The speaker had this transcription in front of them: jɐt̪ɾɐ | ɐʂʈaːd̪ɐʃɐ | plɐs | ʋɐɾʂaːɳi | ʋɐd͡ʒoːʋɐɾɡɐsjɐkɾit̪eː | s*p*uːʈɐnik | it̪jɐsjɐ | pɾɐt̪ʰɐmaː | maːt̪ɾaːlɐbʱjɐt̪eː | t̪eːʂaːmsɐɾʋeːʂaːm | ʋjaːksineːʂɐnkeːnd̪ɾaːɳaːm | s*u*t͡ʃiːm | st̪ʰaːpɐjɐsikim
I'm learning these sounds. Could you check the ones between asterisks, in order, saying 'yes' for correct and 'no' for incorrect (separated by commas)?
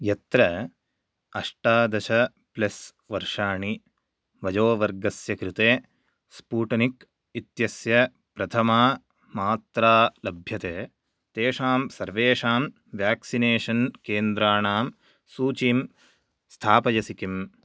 yes, no